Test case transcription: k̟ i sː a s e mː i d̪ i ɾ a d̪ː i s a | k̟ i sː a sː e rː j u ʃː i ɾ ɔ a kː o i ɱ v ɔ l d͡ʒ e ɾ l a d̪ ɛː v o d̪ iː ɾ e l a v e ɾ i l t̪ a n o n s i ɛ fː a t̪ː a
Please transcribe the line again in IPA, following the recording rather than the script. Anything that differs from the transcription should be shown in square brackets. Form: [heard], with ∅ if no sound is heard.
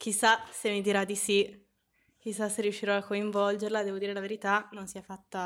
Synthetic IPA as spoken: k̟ i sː a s e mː i d̪ i ɾ a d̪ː i s [i] | k̟ i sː a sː e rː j u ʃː i ɾ ɔ a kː o i ɱ v ɔ l d͡ʒ e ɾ l a d̪ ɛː v o d̪ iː ɾ e l a v e ɾ i [∅] t̪ a n o n s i ɛ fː a t̪ː a